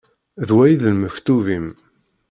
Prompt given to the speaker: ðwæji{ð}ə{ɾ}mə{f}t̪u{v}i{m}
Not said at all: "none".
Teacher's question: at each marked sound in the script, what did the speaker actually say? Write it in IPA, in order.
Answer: ð, l, f, v, m

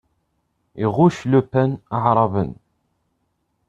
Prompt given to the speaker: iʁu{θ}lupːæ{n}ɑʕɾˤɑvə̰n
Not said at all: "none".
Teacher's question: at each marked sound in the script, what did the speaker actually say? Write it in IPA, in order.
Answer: ʃ, n

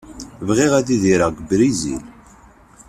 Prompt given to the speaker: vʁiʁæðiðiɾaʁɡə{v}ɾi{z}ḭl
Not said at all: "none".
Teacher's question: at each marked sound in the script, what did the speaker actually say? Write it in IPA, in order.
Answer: b, z

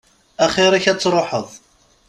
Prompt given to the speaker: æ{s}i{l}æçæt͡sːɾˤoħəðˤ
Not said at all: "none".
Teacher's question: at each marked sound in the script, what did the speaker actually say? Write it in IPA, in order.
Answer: χ, ɾ

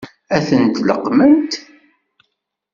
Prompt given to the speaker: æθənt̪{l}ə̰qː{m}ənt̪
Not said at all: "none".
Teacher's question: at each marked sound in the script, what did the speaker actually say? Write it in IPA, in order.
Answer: l, m

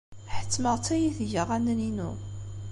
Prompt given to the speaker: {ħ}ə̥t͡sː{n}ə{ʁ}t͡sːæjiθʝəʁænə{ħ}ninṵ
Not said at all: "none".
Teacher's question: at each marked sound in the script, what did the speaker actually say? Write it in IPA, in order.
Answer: ħ, m, ʁ, none

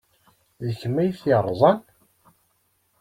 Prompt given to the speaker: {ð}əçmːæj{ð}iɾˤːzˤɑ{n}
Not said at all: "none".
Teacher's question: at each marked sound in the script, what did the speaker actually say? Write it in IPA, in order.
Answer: ð, θ, n

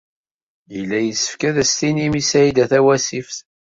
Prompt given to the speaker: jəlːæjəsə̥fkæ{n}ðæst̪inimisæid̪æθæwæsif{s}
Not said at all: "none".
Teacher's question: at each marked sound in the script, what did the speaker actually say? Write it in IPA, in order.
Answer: none, θ

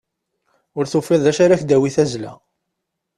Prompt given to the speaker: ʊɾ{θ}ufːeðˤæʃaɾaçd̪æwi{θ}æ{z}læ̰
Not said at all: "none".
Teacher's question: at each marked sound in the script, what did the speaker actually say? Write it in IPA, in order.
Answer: θ, θ, z

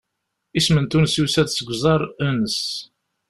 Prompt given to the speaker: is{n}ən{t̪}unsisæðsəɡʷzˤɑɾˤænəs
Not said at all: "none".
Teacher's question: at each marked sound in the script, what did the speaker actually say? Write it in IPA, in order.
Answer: m, t̪

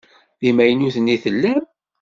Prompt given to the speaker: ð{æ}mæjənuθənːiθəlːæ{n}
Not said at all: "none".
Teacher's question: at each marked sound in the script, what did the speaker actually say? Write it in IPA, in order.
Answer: i, m

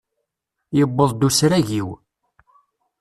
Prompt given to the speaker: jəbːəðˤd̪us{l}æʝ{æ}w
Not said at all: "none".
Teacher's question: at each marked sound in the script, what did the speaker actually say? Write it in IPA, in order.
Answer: ɾ, i

